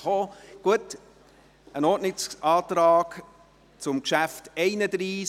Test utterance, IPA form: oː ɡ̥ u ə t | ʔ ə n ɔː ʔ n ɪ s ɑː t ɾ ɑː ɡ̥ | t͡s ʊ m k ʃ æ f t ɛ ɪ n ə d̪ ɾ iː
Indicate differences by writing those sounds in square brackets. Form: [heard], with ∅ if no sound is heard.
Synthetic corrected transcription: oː ɡ̥ u ə t | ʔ ə n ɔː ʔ n ɪ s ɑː t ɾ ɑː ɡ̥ | t͡s ʊ m k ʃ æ f t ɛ ɪ n ə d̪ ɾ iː